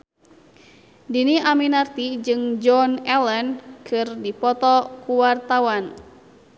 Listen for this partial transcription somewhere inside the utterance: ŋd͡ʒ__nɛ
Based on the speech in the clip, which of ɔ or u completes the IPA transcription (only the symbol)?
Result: ɔ